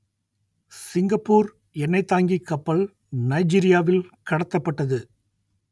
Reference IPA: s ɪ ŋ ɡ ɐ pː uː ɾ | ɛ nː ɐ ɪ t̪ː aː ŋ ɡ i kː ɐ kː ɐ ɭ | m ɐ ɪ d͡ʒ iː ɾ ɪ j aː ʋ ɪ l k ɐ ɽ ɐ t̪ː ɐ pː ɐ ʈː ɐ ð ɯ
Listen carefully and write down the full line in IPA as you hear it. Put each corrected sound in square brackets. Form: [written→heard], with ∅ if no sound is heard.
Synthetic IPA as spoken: s ɪ ŋ ɡ ɐ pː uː ɾ | ɛ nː ɐ ɪ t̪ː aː ŋ ɡ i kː ɐ [kː→pː] ɐ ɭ | [m→n] ɐ ɪ d͡ʒ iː ɾ ɪ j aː ʋ ɪ l k ɐ ɽ ɐ t̪ː ɐ pː ɐ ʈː ɐ ð ɯ

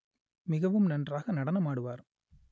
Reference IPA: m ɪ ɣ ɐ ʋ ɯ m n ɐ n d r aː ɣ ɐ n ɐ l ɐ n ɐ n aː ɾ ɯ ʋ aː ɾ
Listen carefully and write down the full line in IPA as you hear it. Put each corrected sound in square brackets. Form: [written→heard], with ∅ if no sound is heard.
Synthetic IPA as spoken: m ɪ ɣ ɐ ʋ ɯ m n ɐ n d r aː ɣ ɐ n ɐ [l→ɽ] ɐ n ɐ [n→m] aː [ɾ→ɽ] ɯ ʋ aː ɾ

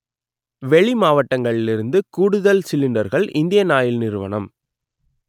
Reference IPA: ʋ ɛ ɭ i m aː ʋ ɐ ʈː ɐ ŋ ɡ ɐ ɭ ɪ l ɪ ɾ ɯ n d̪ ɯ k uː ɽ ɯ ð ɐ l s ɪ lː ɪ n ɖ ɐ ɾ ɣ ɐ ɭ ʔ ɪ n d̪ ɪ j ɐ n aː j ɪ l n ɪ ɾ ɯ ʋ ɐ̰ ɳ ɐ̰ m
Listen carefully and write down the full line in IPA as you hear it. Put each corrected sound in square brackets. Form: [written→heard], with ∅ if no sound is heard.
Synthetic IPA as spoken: ʋ ɛ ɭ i m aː ʋ ɐ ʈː ɐ ŋ ɡ ɐ ɭ ɪ l ɪ ɾ ɯ n d̪ ɯ k uː ɽ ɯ ð ɐ l s ɪ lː ɪ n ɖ ɐ ɾ ɣ ɐ ɭ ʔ ɪ n d̪ ɪ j ɐ n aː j ɪ l n ɪ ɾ ɯ ʋ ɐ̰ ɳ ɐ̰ m

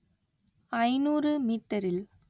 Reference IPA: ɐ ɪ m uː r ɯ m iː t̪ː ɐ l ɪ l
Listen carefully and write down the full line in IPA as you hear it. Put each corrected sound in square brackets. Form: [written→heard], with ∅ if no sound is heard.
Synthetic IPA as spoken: ɐ ɪ [m→n] uː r ɯ m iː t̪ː ɐ [l→ɾ] ɪ l

